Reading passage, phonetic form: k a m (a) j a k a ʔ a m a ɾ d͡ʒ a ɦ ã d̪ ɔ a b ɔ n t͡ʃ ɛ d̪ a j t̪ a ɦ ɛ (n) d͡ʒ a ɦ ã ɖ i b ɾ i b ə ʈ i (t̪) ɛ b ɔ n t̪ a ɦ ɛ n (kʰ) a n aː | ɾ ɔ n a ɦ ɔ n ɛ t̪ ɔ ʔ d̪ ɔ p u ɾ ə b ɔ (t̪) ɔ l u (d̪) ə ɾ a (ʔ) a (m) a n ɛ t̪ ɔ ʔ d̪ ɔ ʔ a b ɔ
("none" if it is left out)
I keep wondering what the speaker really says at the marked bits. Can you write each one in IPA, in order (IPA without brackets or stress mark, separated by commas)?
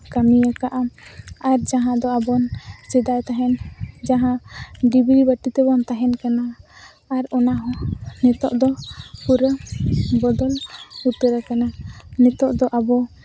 i, n, t̪, k, d̪, t̪, k, n